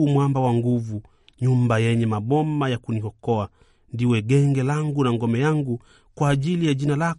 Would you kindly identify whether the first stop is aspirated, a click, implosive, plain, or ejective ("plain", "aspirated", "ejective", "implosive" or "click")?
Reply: plain